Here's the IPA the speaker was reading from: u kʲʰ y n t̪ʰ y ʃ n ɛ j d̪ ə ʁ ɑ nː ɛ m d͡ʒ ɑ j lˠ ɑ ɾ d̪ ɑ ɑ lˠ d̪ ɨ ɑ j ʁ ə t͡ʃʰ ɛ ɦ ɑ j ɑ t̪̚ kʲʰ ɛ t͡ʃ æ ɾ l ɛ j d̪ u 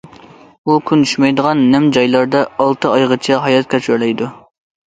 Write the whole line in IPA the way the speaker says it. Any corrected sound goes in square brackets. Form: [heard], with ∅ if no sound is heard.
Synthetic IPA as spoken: u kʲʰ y n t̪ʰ y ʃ [m] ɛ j d̪ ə ʁ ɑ nː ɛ m d͡ʒ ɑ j lˠ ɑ ɾ d̪ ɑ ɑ lˠ [t̪] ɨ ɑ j ʁ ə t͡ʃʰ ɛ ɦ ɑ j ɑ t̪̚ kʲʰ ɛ t͡ʃ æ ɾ l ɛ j d̪ u